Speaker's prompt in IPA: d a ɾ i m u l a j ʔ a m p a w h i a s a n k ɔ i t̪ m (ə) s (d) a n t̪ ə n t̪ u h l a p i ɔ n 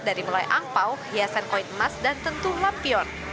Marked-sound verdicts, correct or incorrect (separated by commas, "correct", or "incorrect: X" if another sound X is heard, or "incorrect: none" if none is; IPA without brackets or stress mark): incorrect: a, correct